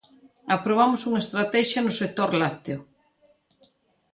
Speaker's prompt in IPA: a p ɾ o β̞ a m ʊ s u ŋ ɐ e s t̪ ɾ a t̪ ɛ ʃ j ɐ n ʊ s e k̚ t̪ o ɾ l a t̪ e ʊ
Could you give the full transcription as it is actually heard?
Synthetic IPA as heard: a p ɾ o β̞ a m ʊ s u ŋ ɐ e s t̪ ɾ a t̪ ɛ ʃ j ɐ n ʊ s e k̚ t̪ o ɾ l a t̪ e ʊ